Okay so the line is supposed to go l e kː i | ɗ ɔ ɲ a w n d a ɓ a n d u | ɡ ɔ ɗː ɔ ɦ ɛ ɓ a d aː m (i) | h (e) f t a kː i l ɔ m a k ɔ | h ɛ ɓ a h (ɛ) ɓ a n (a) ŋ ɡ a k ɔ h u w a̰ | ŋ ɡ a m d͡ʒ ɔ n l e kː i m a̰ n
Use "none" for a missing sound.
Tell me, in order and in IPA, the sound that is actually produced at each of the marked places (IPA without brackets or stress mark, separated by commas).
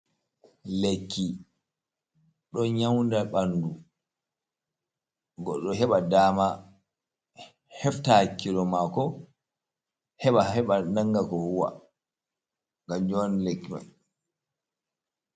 a, ɛ, ɛ, a